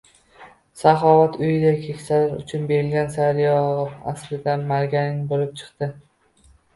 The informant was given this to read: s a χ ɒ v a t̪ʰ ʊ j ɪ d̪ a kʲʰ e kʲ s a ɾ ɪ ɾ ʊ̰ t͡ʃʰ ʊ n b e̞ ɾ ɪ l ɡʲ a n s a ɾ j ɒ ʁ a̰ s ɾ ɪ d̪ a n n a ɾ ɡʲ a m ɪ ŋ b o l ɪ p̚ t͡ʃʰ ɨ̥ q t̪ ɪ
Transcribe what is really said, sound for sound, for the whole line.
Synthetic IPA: s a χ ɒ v a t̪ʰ ʊ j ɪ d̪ a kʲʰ e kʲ s a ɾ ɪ ɾ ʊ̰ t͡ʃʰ ʊ n b e̞ ɾ ɪ l ɡʲ a n s a ɾ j ɒ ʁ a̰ s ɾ ɪ d̪ a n m a ɾ ɡʲ a n ɪ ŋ b o l ɪ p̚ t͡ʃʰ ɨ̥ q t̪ ɪ